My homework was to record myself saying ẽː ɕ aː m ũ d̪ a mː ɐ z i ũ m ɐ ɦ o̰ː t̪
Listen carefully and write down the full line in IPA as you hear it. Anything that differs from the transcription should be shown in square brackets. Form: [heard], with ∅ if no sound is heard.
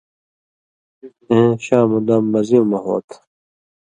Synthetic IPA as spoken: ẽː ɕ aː m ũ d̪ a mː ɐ z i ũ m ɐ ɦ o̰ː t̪